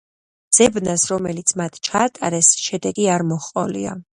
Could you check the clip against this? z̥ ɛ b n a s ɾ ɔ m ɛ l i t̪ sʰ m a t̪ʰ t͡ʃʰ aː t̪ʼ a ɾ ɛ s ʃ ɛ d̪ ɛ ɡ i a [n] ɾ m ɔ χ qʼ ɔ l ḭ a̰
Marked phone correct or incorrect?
incorrect